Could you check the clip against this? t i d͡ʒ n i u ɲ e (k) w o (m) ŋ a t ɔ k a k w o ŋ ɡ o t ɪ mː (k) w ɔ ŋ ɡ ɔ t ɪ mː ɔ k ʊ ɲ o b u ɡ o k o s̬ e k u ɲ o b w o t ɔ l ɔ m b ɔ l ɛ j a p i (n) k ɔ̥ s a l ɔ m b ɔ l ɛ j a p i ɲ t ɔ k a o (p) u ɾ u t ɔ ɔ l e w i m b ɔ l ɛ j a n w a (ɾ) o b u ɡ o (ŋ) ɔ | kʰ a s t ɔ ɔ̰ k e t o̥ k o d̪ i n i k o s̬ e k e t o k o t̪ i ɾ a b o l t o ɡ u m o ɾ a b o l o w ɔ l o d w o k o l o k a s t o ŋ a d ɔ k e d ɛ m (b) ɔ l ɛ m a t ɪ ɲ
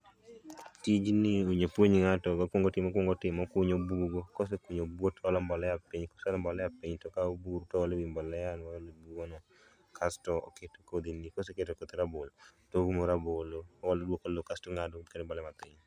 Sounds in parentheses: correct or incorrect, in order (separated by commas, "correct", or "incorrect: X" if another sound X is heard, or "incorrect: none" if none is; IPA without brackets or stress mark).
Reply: incorrect: p, incorrect: ɲ, correct, incorrect: ɲ, incorrect: b, incorrect: l, incorrect: n, correct